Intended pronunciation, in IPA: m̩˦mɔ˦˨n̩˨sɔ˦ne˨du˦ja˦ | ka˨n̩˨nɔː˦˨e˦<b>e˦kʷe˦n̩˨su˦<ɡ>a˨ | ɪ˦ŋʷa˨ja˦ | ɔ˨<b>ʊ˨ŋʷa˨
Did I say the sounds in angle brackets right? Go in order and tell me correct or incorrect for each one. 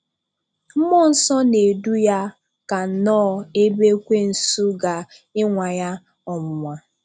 correct, correct, incorrect

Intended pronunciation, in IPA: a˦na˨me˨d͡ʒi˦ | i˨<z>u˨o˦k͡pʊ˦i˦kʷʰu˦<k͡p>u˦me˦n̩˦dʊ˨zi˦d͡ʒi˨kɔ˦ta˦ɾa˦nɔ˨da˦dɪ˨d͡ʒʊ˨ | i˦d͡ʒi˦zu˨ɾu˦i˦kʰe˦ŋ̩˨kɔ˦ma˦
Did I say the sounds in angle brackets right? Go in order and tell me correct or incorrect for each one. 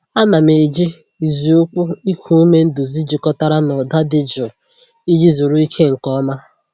correct, incorrect

